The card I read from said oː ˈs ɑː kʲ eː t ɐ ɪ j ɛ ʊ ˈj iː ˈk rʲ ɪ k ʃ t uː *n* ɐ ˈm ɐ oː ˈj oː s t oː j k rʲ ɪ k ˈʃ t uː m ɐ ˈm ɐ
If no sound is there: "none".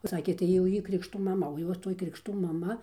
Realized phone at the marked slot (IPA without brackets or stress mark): m